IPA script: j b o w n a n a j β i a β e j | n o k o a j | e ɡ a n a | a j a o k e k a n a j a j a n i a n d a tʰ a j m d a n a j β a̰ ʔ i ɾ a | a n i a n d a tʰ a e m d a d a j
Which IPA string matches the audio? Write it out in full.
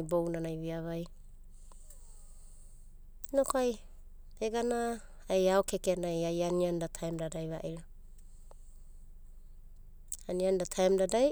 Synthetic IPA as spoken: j b o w n a n a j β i a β a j | n o k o a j | e ɡ a n a | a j a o k e k e n a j a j a n i a n d a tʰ a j m d a d a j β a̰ ʔ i ɾ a | a n i a n d a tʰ a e m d a d a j